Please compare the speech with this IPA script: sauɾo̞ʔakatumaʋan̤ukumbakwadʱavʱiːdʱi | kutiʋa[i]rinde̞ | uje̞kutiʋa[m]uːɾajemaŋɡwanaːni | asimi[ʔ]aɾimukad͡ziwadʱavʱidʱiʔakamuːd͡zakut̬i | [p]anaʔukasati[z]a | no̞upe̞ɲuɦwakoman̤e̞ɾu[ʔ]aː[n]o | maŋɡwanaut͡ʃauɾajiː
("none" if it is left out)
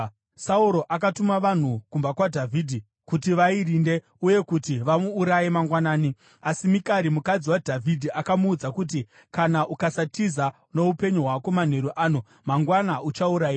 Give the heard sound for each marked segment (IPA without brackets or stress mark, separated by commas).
i, m, k, k, z, ʔ, n